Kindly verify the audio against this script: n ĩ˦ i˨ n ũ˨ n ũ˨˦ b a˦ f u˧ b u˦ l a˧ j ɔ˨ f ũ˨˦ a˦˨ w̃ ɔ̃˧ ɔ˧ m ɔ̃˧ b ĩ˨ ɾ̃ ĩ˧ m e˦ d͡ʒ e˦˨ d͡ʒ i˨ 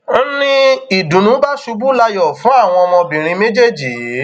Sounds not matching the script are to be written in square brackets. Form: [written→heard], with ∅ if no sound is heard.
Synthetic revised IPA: n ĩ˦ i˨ [n→d] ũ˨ n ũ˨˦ b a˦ [f→ʃ] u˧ b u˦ l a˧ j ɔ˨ f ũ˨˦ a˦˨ w̃ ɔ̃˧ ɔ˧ m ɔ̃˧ b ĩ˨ ɾ̃ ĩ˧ m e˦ d͡ʒ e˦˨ d͡ʒ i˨